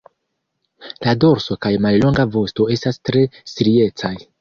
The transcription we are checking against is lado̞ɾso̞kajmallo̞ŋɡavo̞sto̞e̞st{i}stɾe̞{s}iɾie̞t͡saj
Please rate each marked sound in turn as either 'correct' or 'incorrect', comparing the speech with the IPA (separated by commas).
incorrect, correct